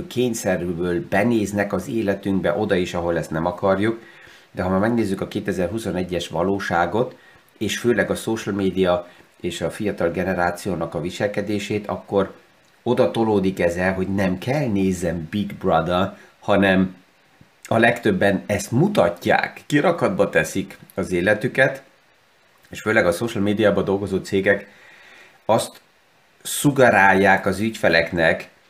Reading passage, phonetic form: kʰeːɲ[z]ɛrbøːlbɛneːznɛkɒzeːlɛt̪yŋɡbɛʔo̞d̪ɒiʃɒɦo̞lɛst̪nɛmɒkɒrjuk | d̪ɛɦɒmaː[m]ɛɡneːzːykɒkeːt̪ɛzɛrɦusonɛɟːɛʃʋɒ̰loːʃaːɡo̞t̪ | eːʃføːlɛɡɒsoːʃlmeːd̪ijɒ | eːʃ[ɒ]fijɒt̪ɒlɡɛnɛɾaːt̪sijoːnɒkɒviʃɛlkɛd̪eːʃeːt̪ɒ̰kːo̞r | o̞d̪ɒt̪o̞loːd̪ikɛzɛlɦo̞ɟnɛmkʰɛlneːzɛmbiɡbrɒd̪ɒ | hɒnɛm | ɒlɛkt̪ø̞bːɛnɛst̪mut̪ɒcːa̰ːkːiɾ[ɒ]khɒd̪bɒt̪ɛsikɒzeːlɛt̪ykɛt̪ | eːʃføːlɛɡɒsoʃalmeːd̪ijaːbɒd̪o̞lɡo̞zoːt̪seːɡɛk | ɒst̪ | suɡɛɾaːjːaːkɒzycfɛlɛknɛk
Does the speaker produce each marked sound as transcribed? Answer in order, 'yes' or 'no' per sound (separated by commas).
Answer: no, yes, yes, yes